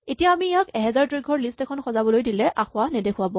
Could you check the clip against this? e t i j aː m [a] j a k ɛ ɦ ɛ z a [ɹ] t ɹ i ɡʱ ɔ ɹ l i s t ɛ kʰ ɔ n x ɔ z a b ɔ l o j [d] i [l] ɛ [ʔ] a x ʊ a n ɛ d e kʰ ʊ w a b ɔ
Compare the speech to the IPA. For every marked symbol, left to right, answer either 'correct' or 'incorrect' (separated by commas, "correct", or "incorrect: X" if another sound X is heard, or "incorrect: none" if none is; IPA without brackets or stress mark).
incorrect: i, correct, correct, correct, correct